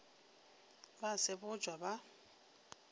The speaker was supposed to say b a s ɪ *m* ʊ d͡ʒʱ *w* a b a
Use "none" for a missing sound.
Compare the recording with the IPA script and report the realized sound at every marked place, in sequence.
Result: b, w

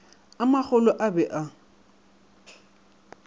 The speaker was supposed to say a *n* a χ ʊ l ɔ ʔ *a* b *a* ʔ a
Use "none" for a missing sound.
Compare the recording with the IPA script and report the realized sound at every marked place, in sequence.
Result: m, a, ɛ

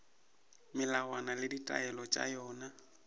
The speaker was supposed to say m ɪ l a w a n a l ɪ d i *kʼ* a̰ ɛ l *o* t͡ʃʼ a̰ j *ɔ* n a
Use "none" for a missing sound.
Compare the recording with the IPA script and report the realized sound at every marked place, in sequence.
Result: tʼ, ɔ, ɔː

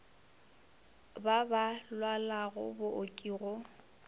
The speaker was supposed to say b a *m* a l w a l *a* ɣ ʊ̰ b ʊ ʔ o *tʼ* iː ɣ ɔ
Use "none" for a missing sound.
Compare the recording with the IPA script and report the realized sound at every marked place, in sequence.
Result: b, a, kʼ

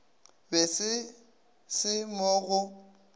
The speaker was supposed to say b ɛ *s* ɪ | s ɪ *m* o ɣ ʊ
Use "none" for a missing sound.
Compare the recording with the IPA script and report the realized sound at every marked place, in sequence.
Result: s, m

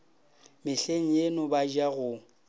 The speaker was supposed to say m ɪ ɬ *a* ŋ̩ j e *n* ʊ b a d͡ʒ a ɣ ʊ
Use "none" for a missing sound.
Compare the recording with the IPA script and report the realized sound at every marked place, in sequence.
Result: e, n

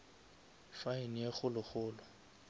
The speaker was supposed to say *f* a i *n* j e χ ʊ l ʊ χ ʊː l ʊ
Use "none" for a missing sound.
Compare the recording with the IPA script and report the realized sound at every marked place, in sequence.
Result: f, n

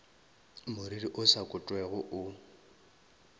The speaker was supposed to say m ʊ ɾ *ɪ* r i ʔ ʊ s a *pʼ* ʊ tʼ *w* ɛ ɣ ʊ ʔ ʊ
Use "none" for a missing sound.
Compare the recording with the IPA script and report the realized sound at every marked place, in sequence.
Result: i, kʼ, w

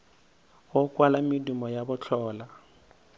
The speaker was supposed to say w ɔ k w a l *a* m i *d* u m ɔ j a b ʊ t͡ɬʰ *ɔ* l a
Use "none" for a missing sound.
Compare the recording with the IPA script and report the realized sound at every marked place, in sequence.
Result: a, d, ɔː

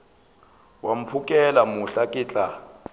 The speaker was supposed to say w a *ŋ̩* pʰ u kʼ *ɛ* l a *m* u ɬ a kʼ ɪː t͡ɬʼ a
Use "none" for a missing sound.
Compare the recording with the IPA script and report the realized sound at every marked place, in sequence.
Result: m̩, ɛ, m

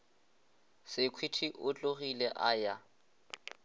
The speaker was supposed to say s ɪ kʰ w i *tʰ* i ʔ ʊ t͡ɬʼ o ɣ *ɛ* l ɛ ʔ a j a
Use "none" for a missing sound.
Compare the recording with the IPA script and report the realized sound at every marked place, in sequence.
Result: tʰ, i

